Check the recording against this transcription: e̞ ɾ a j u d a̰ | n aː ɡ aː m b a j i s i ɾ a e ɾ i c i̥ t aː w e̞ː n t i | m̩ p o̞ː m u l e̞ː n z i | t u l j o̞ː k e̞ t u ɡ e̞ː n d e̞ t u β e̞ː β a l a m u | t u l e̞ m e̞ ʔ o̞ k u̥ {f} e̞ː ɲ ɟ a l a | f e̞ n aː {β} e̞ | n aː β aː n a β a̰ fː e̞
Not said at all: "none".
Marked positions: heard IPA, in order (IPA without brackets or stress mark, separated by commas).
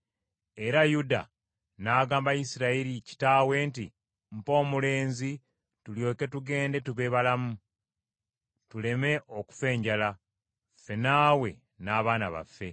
f, w